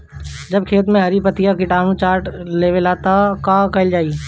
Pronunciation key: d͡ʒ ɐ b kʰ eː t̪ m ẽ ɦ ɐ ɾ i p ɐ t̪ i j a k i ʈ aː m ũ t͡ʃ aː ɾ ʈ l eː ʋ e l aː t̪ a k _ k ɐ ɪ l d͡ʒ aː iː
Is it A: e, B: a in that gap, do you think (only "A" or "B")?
B